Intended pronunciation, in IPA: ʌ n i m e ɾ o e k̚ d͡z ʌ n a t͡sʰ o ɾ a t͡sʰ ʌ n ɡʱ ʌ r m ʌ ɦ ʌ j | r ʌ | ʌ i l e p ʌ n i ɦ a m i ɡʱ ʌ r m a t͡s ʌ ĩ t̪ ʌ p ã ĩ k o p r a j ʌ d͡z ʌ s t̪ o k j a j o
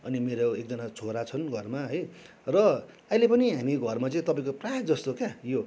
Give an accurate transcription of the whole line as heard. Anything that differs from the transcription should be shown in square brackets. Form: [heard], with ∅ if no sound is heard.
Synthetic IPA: ʌ n i m e ɾ o e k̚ d͡z ʌ n a t͡sʰ o ɾ a t͡sʰ ʌ n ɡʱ ʌ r m [a] ɦ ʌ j | r ʌ | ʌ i l e p ʌ n i ɦ a m i ɡʱ ʌ r m a t͡s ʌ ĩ t̪ ʌ p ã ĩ k o p r a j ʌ d͡z ʌ s t̪ o k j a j o